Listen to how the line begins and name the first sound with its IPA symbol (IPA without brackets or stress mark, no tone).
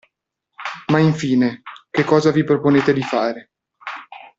m